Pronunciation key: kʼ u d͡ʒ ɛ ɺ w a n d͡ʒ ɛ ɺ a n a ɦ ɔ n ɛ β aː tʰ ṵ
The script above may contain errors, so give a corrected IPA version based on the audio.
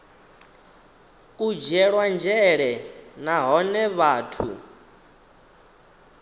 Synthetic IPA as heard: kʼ u d͡ʒ ɛ ɺ w a n d͡ʒ ɛ ɺ ɛ n a ɦ ɔ n ɛ β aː tʰ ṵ